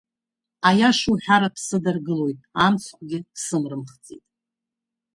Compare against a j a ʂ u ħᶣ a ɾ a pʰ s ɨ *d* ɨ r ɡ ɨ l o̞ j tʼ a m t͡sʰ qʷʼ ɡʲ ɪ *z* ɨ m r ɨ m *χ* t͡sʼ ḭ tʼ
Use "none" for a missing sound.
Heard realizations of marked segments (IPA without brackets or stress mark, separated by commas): d, s, χ